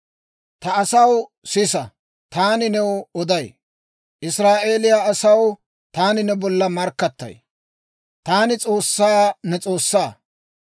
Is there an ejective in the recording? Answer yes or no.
yes